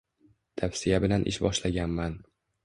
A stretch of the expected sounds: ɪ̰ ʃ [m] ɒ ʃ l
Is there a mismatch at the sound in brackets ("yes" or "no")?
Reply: yes